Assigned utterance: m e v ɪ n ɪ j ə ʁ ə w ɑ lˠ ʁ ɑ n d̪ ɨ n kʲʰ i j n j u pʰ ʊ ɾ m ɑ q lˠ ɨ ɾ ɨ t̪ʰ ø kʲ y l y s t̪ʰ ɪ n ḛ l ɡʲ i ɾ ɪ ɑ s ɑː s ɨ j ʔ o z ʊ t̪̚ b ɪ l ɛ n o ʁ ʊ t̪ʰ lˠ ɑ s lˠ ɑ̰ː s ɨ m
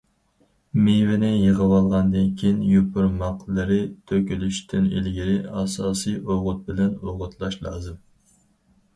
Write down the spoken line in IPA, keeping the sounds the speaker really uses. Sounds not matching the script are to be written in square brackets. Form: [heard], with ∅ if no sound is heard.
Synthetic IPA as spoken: m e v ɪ n ɪ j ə ʁ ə w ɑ lˠ ʁ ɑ n d̪ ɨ n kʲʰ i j n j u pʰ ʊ ɾ m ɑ q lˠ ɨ ɾ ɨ t̪ʰ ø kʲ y l y [ʃ] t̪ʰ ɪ n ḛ l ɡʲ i ɾ ɪ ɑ s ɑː s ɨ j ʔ o [ʁ] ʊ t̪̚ b ɪ l ɛ n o ʁ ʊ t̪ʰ lˠ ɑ [ʃ] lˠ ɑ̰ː [z] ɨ m